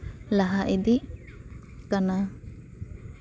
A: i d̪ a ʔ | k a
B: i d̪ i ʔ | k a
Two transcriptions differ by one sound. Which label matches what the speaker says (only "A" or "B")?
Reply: B